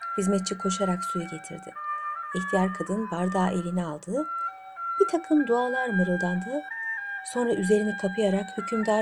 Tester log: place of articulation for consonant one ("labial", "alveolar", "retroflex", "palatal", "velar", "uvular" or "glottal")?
glottal